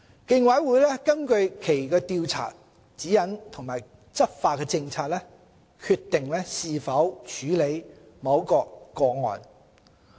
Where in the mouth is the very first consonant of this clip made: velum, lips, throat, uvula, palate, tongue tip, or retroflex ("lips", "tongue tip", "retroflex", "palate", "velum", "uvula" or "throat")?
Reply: velum